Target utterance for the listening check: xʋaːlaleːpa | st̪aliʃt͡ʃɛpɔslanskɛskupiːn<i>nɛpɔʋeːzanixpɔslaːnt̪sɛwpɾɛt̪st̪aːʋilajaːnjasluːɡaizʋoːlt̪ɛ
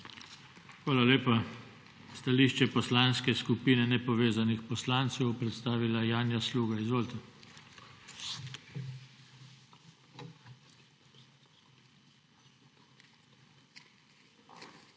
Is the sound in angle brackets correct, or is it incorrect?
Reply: incorrect